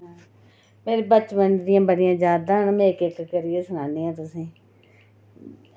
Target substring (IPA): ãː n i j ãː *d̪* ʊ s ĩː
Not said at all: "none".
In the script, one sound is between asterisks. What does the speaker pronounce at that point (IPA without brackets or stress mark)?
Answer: t̪